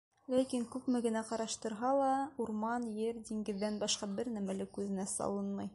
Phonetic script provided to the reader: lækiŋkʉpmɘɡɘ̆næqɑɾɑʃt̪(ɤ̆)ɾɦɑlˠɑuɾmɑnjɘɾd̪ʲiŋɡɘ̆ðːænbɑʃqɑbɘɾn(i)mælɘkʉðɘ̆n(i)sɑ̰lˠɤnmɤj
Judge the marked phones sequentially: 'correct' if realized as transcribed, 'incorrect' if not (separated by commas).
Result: correct, incorrect, incorrect